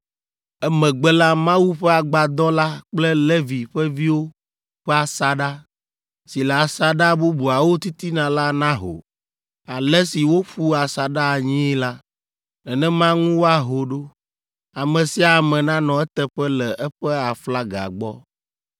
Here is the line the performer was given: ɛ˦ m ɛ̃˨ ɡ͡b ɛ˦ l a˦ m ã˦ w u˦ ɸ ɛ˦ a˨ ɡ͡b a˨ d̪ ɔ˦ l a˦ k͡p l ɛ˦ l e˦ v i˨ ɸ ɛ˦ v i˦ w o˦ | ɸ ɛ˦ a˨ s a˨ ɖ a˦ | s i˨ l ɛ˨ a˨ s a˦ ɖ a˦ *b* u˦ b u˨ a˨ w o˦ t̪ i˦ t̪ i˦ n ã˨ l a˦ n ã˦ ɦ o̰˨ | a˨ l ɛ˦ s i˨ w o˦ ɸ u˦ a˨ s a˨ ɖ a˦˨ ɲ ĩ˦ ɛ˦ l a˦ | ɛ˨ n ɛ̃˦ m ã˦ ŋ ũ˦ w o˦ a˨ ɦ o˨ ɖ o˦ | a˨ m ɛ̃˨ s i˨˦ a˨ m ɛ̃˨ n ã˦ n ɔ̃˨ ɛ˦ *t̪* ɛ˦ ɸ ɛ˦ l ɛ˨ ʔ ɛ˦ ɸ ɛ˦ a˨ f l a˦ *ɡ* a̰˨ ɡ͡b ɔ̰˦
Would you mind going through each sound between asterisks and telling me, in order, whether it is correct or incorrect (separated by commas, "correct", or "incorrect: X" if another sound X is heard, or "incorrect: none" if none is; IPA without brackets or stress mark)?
correct, correct, correct